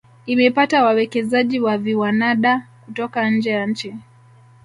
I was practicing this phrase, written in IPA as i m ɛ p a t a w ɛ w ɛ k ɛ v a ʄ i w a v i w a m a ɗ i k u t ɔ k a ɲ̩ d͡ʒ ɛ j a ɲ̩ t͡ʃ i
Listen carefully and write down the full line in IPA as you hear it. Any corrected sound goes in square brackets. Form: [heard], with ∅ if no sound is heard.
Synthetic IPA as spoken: i m ɛ p a t a w [a] w ɛ k ɛ [z] a ʄ i w a v i w a [n] a ɗ [a] k u t ɔ k a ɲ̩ d͡ʒ ɛ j a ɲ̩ t͡ʃ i